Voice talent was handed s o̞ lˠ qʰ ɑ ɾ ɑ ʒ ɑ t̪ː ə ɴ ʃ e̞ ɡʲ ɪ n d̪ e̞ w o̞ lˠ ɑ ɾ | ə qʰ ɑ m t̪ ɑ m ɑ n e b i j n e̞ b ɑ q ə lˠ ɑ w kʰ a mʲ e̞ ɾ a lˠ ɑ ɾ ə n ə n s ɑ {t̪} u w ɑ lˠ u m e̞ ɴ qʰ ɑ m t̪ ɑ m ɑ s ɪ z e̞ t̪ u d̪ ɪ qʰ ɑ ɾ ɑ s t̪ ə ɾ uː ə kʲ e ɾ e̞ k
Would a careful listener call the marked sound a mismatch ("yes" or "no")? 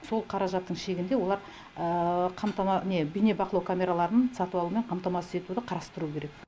no